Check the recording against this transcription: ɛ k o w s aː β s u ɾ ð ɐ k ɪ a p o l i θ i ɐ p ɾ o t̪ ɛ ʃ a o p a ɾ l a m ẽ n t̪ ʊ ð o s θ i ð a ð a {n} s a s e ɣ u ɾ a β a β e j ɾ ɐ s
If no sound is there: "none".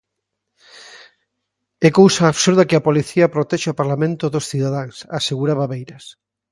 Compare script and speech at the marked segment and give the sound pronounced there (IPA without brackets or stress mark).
ŋ